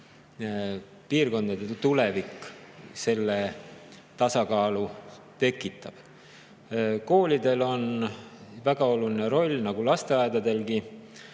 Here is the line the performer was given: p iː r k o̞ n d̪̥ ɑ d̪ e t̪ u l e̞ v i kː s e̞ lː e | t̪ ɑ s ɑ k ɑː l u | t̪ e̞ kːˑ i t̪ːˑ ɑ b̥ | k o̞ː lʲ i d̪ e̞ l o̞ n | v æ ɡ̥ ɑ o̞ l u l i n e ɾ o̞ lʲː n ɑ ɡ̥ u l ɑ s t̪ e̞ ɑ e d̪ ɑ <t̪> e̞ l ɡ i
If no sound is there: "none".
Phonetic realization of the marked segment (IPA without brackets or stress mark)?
d̪